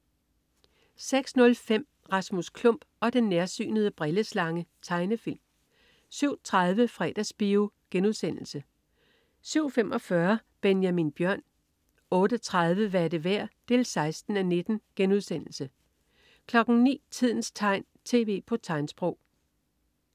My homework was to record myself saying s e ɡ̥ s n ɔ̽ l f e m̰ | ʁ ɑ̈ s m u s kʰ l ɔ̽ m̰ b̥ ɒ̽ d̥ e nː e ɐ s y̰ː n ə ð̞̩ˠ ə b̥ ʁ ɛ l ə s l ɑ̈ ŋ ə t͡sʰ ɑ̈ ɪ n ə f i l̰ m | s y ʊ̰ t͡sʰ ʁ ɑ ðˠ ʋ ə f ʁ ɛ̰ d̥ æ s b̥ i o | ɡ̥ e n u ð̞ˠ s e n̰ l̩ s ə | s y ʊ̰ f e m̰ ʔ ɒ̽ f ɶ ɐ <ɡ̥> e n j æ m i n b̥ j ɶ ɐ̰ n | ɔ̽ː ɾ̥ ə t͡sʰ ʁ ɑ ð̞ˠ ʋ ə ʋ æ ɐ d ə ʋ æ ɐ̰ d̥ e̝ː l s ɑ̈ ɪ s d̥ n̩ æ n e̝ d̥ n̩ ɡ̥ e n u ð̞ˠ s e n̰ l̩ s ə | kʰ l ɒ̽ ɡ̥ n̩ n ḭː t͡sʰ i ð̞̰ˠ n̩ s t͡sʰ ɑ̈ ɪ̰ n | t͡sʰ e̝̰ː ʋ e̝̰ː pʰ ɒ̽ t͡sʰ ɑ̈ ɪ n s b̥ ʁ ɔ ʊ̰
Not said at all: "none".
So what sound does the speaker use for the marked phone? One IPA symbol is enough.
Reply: b̥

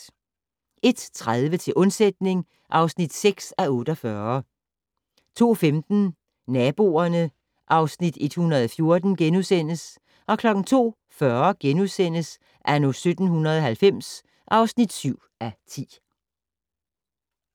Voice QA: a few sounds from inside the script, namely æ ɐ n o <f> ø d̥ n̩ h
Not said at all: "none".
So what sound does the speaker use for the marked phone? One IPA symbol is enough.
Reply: s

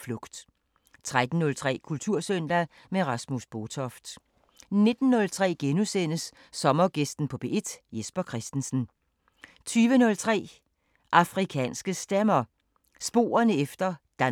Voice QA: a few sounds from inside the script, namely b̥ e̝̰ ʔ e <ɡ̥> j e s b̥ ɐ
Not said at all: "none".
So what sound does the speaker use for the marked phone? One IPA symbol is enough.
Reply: d̥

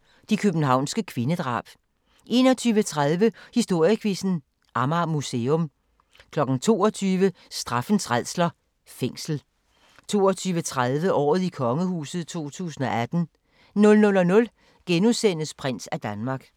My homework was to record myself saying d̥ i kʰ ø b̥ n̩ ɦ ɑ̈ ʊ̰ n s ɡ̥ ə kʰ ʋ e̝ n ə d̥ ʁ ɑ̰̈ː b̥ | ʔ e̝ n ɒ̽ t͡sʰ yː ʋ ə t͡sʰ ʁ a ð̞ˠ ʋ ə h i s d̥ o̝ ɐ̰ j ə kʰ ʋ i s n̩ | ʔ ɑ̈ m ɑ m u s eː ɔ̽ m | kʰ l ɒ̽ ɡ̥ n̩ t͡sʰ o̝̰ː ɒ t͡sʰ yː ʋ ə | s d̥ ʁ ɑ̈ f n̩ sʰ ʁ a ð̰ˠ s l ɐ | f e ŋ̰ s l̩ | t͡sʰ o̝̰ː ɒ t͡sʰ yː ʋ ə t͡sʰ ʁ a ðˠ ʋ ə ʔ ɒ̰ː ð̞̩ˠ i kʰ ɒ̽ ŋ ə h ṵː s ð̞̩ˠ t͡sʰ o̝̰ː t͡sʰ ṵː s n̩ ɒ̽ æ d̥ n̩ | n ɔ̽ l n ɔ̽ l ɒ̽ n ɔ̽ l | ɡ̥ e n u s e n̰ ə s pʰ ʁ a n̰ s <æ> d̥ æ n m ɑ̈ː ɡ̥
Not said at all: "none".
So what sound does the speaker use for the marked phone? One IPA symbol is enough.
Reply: æ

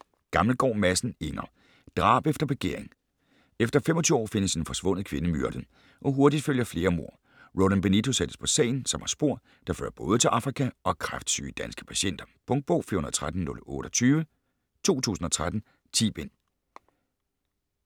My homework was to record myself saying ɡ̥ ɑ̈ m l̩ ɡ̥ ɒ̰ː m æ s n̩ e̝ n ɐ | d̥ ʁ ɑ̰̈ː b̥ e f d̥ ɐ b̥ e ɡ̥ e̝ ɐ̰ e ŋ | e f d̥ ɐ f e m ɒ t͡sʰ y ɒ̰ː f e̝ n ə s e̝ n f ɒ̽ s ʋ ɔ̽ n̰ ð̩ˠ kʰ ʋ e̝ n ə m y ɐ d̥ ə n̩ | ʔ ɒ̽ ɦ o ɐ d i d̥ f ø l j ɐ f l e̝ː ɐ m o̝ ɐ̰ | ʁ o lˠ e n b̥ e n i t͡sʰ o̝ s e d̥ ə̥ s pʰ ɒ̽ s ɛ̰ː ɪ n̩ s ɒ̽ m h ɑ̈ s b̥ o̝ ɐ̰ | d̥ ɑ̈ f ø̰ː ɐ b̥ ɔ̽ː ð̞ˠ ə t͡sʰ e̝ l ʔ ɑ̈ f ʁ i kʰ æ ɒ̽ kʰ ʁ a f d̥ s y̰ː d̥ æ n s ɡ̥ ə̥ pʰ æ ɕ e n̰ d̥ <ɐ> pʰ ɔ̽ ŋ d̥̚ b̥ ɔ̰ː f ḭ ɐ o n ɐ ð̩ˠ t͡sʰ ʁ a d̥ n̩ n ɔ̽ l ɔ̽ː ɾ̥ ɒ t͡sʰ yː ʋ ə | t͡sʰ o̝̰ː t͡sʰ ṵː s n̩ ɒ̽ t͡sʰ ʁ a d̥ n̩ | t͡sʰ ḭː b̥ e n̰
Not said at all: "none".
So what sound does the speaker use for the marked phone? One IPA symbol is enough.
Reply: ɐ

